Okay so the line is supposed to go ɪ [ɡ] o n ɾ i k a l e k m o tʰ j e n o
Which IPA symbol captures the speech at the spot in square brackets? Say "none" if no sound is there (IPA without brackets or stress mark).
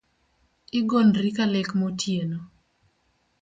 ɡ